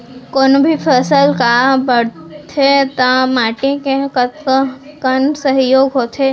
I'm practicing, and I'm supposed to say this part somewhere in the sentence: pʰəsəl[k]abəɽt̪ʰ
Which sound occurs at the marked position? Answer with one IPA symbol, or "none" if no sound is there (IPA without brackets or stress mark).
k